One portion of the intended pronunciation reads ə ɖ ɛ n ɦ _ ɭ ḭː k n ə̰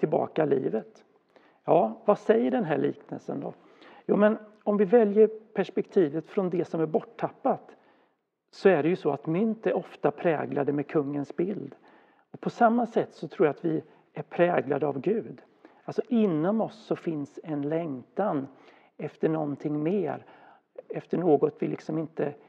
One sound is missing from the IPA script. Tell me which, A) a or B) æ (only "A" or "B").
B